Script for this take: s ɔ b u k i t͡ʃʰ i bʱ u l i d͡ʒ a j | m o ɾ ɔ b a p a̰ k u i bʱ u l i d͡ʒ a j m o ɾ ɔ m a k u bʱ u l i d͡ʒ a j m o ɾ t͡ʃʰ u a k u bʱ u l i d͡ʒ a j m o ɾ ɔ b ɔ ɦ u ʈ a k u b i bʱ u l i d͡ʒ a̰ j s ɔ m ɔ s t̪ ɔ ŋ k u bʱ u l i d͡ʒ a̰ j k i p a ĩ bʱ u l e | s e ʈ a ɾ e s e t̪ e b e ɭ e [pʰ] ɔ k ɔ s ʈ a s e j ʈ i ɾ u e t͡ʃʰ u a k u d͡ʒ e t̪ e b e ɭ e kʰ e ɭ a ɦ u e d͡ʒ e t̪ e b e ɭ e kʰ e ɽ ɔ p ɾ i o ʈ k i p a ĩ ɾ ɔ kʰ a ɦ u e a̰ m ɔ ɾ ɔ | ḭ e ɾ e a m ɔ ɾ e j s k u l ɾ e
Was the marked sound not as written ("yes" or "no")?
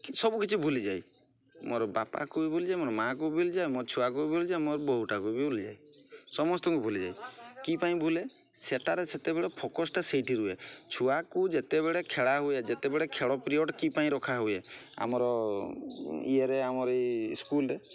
no